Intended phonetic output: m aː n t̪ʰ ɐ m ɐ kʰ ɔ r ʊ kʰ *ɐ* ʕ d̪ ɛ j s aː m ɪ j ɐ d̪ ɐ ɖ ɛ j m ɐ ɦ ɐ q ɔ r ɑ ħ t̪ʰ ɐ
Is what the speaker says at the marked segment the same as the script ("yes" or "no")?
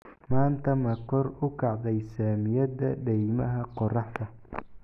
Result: no